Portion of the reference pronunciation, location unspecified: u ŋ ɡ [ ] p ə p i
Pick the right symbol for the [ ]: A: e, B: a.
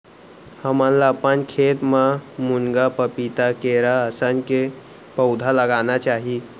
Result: B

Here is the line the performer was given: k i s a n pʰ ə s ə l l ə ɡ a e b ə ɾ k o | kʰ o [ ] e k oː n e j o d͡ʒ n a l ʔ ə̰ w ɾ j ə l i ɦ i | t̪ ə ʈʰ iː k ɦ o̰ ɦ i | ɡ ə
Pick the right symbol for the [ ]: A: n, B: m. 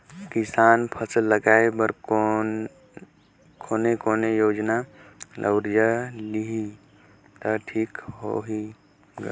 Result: A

